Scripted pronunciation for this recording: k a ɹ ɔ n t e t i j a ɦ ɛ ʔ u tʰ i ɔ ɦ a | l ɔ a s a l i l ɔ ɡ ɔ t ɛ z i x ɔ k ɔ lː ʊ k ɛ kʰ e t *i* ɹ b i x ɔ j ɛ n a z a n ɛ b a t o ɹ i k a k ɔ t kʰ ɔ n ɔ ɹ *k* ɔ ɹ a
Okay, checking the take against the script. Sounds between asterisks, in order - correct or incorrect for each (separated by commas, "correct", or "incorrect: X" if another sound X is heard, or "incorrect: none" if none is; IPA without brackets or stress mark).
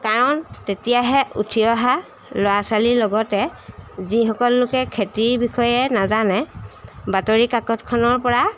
correct, incorrect: p